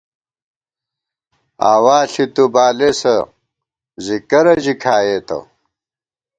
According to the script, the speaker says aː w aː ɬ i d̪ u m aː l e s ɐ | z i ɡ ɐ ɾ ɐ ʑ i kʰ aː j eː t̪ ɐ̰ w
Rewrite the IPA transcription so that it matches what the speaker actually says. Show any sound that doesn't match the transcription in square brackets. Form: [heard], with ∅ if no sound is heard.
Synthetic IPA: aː w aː ɬ i [t̪] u [b] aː l e s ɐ | z i [k] ɐ ɾ ɐ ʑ i kʰ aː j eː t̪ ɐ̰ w